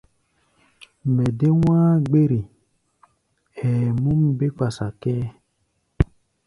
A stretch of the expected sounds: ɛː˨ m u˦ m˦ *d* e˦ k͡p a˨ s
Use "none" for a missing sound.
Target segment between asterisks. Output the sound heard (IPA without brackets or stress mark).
b